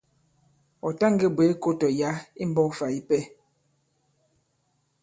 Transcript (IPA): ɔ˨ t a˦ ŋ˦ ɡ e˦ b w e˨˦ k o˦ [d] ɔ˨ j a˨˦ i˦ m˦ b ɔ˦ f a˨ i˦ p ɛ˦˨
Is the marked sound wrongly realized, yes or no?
yes